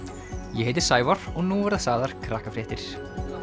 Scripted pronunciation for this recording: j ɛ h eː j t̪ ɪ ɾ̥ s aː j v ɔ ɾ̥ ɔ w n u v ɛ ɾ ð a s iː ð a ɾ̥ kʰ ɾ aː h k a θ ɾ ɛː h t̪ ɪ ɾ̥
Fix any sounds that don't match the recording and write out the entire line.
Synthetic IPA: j ɛ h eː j t̪ ɪ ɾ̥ s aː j v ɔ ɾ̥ ɔ ɣ n u v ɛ ɾ ð a s aː ð a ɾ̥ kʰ ɾ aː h k a f ɾ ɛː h t̪ ɪ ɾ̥